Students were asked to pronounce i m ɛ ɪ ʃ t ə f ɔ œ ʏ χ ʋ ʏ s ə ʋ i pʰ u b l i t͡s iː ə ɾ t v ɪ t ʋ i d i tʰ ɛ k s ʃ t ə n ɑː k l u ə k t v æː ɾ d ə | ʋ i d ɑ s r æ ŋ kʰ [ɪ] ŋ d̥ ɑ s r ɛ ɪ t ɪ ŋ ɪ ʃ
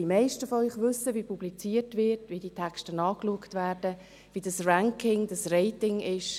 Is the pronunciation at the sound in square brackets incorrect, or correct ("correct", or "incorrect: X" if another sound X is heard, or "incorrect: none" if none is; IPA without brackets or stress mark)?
correct